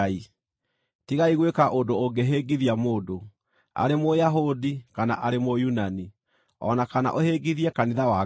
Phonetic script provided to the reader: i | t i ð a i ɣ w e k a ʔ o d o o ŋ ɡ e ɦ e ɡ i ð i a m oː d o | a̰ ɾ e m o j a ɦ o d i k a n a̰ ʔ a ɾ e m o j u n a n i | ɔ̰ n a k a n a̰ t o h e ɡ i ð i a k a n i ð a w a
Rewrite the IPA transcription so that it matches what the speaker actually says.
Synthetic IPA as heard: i | t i ɣ a i ɣ w e k a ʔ o d o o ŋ ɡ e ɦ e ɡ i ð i a m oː d o | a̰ ɾ e m o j a ɦ o d i k a n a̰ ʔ a ɾ e m o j u n a n i | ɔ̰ n a k a n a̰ ʔ o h e ɡ i ð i ɛ k a n i ð a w a